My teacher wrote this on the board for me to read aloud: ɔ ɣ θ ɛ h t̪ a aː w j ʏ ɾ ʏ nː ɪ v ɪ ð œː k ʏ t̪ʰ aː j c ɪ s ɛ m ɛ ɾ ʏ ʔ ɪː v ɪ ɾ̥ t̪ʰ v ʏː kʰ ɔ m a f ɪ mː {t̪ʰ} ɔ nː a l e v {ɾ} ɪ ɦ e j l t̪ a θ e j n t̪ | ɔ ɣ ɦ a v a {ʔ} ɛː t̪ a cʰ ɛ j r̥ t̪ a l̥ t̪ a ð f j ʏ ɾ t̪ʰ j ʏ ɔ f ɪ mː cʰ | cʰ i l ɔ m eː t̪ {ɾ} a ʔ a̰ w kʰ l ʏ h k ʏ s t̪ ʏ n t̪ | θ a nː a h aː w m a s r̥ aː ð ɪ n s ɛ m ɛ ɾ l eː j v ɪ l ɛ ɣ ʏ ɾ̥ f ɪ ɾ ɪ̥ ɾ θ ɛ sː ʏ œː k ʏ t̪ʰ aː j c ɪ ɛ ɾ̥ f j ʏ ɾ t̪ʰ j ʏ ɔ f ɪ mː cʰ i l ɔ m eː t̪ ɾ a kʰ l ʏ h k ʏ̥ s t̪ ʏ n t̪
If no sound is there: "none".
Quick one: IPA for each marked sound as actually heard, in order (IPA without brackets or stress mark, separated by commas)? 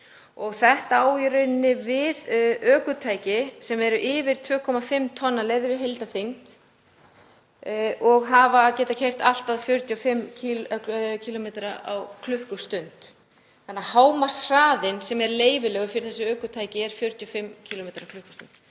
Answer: t̪ʰ, ɾ, c, ɾ